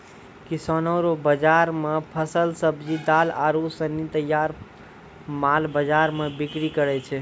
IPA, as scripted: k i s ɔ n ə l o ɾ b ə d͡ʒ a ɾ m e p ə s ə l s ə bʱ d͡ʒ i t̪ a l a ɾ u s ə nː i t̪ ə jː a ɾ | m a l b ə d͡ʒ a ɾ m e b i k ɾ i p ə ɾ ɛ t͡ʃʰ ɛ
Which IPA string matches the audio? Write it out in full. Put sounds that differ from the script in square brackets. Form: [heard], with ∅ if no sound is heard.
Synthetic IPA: k i s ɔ n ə [ɾ] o [∅] b ə d͡ʒ a ɾ m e [pʰ] ə s ə l s ə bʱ d͡ʒ i [d̪] a l a ɾ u s ə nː i t̪ ə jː a ɾ | m a l b ə d͡ʒ a ɾ m e b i k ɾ i [k] ə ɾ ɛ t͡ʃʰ ɛ